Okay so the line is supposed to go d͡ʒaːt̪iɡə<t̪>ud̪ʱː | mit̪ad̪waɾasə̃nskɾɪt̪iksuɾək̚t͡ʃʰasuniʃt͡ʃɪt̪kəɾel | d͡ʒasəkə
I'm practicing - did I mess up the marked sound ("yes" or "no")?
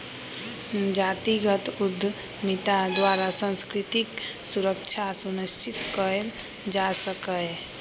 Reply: no